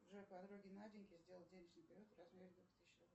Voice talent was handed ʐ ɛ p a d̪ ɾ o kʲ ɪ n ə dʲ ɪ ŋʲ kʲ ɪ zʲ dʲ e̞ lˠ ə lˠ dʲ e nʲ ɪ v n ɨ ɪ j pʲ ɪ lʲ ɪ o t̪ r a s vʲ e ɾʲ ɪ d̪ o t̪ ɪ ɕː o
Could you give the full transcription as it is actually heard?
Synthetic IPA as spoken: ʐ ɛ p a d̪ ɾ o ɡʲ ɪ n a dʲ ɪ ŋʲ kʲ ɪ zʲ dʲ e̞ lˠ ə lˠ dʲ e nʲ ɪ ʐ n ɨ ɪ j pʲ ɪ ɾʲ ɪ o t̪ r a z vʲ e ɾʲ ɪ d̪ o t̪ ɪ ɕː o